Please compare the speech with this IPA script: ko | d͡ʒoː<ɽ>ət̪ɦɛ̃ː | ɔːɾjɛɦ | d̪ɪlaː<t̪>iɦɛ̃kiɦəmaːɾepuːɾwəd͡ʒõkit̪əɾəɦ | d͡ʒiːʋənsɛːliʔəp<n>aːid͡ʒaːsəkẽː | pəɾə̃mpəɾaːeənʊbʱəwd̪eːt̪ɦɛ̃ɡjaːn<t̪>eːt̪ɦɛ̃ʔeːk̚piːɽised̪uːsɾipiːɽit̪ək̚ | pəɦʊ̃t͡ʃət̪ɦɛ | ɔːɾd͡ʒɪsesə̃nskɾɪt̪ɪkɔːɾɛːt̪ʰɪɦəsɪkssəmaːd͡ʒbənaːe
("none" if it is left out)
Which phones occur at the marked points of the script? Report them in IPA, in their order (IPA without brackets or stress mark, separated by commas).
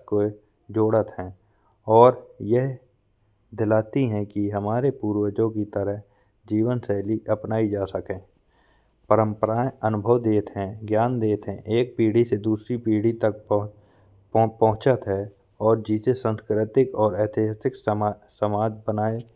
ɽ, t̪, n, d̪